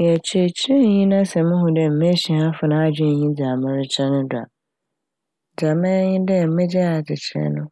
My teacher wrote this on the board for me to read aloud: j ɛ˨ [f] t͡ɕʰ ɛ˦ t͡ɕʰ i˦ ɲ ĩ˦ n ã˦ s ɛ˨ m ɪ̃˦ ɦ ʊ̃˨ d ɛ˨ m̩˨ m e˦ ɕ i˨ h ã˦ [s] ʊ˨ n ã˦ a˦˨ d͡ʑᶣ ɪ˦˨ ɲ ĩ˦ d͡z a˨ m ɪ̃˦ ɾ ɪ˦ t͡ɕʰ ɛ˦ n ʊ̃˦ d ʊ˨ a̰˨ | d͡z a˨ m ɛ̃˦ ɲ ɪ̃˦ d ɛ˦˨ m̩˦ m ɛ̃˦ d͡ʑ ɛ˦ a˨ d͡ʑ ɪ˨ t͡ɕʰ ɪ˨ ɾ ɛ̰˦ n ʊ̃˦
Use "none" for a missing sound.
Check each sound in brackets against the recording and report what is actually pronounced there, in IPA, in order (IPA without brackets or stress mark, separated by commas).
none, f